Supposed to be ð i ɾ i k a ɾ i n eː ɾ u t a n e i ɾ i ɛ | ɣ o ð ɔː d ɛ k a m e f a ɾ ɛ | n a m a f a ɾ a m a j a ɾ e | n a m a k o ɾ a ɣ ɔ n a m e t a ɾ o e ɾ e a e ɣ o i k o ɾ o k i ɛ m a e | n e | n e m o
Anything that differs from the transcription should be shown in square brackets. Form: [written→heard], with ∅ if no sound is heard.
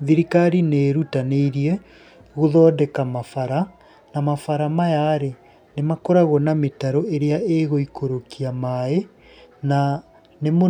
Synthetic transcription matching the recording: ð i ɾ i k a ɾ i n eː ɾ u t a n e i ɾ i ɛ | ɣ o ð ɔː d ɛ k a m [e→a] f a ɾ [ɛ→a] | n a m a f a ɾ a m a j a ɾ e | n [a→e] m a k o ɾ a ɣ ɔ n a m e t a ɾ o e ɾ e a e ɣ o i k o ɾ o k i [ɛ→a] m a e | n [e→a] | n e m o